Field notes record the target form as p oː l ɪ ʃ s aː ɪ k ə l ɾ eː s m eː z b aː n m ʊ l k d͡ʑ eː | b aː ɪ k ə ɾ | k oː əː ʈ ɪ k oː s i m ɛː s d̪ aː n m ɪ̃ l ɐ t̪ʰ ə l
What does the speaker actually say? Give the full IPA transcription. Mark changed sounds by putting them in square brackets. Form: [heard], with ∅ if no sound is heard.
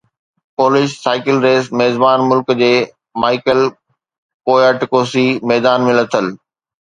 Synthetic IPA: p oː l ɪ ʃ s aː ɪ k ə l ɾ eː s m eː z b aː n m ʊ l k d͡ʑ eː | [m] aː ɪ k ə [l] | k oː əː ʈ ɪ k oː s i m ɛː [∅] d̪ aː n m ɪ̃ l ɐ t̪ʰ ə l